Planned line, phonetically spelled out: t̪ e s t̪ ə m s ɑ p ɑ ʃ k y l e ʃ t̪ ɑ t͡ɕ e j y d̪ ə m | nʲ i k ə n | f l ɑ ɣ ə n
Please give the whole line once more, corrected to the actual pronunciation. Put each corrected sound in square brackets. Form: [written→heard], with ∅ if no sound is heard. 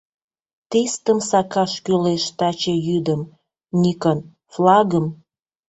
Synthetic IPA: t̪ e s t̪ ə m s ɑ [p→k] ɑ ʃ k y l e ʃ t̪ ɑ t͡ɕ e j y d̪ ə m | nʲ i k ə n | f l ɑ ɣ ə [n→m]